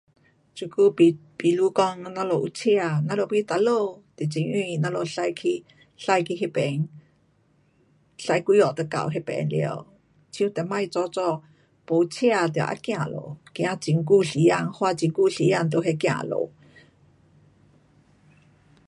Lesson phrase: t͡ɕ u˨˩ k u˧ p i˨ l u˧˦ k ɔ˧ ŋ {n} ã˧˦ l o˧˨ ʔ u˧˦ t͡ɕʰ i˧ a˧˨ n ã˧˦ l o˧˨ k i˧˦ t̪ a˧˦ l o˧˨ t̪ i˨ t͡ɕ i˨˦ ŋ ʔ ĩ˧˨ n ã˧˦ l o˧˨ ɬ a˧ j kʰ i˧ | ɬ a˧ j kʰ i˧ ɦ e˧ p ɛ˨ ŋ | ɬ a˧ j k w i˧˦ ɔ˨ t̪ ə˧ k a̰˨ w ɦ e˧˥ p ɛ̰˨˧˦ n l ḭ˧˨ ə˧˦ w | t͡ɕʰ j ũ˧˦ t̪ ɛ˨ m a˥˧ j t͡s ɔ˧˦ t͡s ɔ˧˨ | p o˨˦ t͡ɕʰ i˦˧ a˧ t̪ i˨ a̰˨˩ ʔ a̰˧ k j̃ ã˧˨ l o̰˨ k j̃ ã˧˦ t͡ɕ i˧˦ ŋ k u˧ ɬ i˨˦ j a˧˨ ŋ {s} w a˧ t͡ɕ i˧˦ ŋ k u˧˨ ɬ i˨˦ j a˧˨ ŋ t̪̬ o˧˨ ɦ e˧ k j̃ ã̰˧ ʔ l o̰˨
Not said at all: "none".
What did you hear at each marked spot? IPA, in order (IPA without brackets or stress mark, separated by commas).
n, h